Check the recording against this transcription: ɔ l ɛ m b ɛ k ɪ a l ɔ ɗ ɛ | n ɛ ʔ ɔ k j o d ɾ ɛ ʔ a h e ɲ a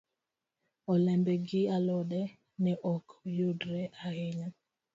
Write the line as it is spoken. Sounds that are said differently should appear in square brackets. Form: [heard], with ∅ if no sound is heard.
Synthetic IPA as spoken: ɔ l ɛ m b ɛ [ɡ] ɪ a l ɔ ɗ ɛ | n ɛ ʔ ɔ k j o d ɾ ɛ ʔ a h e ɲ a